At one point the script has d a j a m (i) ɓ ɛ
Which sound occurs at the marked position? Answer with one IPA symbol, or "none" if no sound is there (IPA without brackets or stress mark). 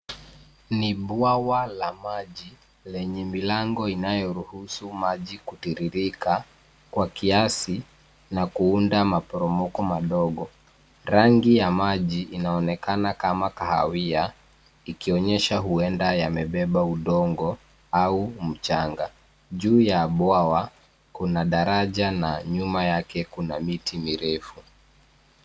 ɛ